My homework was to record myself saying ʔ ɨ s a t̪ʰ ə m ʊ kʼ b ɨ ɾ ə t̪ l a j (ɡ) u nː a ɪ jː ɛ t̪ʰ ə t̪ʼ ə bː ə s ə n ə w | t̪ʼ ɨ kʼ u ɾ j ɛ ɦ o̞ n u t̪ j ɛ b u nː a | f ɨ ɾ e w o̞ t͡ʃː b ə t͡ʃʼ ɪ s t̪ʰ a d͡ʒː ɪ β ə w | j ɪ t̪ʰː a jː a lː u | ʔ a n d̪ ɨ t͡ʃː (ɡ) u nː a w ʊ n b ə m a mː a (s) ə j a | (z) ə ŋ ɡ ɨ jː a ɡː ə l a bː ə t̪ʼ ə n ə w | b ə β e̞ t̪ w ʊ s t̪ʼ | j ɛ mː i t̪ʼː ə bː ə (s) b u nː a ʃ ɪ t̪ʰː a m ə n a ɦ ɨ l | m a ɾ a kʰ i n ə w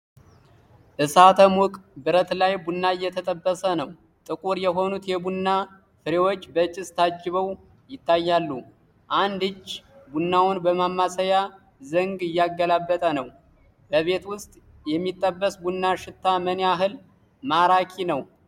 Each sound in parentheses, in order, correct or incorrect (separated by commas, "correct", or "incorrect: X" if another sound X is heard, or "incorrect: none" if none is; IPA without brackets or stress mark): incorrect: b, incorrect: b, correct, correct, correct